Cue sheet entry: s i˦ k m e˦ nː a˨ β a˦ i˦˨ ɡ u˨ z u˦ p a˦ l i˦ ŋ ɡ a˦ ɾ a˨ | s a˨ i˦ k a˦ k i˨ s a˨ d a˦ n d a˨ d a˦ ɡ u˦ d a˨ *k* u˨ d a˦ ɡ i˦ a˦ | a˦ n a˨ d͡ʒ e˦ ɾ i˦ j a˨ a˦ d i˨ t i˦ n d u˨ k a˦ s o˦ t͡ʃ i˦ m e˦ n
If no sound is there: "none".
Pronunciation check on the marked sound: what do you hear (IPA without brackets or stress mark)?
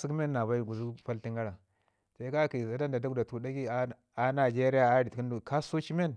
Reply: t